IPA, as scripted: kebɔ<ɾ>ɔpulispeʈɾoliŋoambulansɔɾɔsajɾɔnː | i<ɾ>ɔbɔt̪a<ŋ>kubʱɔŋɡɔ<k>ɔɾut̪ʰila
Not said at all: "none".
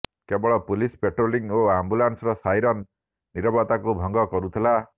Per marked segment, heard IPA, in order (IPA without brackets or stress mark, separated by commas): ɭ, ɾ, none, k